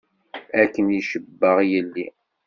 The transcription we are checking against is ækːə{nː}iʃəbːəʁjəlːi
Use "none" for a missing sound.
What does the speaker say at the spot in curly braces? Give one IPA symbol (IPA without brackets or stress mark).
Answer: n